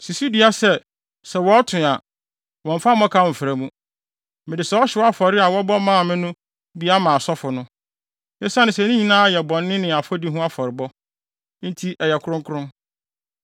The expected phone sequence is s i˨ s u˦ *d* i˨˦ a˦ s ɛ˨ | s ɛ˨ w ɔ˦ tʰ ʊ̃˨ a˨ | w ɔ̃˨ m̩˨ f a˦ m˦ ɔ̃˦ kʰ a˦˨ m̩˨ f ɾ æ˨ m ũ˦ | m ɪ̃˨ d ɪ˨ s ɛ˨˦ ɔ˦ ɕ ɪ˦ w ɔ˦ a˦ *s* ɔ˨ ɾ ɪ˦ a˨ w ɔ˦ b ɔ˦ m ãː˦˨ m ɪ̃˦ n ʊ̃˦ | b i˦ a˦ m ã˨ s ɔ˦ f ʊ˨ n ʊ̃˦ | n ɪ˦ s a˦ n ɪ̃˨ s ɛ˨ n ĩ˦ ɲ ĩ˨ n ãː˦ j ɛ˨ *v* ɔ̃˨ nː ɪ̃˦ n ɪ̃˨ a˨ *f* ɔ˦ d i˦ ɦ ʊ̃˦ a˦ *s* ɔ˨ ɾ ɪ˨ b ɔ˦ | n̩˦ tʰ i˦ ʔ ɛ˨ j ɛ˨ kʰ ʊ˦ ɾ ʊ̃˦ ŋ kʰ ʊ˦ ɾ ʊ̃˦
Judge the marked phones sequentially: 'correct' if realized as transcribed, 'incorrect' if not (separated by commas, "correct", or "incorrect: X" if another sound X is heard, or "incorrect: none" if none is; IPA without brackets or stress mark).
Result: correct, incorrect: f, incorrect: b, correct, incorrect: f